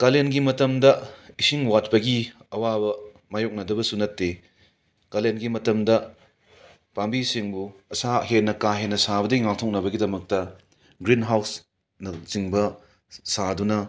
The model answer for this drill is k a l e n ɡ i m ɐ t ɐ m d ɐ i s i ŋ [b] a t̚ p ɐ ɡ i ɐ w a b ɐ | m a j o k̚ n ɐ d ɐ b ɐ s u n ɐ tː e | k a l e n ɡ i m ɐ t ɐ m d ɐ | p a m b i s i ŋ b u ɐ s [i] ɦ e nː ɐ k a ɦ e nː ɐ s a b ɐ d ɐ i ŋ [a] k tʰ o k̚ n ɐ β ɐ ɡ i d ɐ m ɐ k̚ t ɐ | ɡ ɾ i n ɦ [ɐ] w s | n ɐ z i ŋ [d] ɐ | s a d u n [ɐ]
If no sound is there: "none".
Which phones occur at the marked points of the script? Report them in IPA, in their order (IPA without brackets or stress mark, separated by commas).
w, a, a, a, b, ɐ